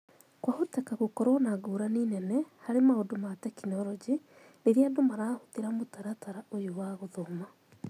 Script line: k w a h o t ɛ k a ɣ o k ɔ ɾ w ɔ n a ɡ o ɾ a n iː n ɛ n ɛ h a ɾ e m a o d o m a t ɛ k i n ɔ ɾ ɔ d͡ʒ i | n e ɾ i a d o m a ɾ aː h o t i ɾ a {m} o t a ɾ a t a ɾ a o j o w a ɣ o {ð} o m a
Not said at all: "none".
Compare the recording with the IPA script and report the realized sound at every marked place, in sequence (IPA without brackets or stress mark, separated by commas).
m, ð